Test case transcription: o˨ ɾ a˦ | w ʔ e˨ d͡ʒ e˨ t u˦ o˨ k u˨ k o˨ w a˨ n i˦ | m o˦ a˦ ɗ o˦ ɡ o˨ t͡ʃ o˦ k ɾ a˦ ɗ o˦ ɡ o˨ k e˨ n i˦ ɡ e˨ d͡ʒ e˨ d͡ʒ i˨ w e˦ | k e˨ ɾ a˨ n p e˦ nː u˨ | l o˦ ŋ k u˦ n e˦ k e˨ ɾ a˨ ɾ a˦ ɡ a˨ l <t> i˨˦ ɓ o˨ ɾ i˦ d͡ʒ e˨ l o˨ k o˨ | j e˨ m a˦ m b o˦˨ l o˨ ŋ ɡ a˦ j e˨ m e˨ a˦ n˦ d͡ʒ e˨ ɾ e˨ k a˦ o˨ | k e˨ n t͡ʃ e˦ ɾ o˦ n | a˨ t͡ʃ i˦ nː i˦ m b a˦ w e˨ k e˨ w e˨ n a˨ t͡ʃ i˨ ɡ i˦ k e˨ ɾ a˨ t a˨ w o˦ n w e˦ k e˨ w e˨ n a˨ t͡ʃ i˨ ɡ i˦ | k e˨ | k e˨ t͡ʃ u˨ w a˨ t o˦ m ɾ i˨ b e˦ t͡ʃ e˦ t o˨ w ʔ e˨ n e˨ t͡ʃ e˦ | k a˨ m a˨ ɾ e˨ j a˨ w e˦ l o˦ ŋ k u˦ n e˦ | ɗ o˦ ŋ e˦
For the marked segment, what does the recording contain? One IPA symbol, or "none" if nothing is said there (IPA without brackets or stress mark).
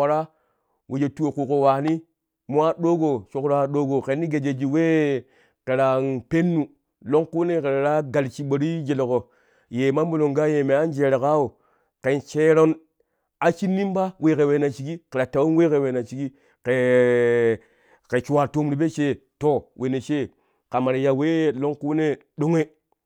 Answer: t͡ʃ